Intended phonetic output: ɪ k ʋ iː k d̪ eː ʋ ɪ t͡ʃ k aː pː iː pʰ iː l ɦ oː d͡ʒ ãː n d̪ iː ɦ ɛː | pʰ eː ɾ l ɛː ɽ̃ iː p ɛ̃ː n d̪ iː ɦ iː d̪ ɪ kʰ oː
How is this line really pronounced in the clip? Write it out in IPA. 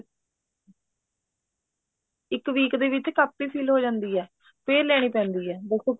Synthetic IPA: ɪ k ʋ iː k d̪ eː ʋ ɪ t͡ʃ k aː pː iː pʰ iː l ɦ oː d͡ʒ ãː n d̪ iː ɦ ɛː | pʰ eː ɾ l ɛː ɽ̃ iː p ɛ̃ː n d̪ iː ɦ ɛː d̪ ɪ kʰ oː